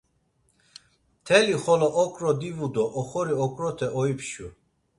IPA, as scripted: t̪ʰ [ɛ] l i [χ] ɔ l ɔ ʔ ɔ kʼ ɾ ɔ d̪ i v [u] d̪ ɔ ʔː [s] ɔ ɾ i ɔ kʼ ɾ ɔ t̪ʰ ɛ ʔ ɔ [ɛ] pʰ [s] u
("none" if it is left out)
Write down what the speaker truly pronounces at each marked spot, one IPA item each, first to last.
ɛ, χ, u, χ, i, ʃ

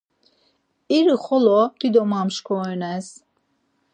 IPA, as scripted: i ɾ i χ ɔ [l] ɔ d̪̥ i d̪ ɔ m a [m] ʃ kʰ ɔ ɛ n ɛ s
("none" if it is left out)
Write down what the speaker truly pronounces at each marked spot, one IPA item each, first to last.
l, m

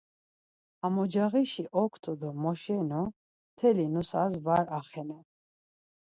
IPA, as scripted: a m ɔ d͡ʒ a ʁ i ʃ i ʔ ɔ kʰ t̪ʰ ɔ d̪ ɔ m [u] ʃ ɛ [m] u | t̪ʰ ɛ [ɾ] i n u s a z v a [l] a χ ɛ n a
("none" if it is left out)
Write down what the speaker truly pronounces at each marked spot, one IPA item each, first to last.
ɔ, n, l, ɾ

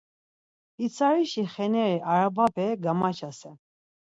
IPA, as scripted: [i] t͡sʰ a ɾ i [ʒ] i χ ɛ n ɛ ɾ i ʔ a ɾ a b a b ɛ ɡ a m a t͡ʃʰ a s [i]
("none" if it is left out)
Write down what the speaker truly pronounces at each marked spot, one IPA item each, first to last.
i, ʃ, ɛ

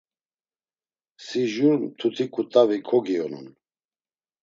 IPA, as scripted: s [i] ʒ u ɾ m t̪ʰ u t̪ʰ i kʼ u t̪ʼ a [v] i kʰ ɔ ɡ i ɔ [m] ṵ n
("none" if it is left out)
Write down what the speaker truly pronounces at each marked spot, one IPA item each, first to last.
i, v, n

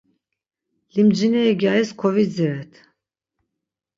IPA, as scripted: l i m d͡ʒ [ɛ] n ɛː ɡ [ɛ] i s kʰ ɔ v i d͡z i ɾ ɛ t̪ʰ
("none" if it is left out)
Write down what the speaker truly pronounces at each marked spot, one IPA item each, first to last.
i, a

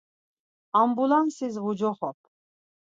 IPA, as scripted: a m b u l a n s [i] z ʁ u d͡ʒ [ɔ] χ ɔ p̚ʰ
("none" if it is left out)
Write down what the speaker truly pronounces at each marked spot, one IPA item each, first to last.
i, ɔ

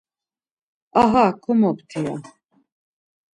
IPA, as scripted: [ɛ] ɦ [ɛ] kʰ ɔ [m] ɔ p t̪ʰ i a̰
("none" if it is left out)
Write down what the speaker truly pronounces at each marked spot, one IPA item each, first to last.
a, a, m

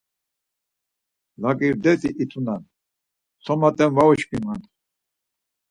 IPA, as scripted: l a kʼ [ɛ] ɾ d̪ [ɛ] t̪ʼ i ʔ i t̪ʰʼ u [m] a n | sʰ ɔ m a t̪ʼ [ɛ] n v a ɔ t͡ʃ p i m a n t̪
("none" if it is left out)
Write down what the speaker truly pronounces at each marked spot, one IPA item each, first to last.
i, ɛ, n, ɛ

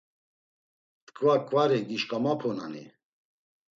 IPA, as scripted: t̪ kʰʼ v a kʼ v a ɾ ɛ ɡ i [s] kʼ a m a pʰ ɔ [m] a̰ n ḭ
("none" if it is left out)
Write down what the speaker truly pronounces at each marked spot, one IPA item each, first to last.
ʃ, n

